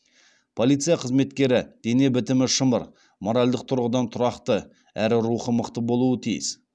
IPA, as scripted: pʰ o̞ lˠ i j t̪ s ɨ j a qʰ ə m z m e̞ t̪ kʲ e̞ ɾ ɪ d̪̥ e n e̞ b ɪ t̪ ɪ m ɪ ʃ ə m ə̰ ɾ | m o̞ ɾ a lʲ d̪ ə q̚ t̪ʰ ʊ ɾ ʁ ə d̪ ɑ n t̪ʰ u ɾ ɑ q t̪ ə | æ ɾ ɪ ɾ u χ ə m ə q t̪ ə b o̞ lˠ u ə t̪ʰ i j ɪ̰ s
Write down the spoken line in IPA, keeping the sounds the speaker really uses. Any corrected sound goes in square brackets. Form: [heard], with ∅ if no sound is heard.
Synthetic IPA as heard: pʰ o̞ lˠ i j t̪ s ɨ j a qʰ ə [∅] z m e̞ t̪ kʲ e̞ ɾ ɪ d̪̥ e n e̞ b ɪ t̪ ɪ m ɪ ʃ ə m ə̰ ɾ | m o̞ ɾ a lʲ d̪ ə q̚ t̪ʰ ʊ ɾ ʁ ə d̪ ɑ n t̪ʰ [ʊ] ɾ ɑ q t̪ ə | æ ɾ ɪ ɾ u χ ə m ə q t̪ ə b o̞ lˠ u ə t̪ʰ i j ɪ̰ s